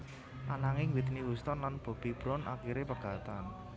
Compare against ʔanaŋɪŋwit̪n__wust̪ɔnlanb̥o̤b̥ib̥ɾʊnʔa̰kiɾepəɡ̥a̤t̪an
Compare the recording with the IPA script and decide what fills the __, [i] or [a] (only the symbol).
i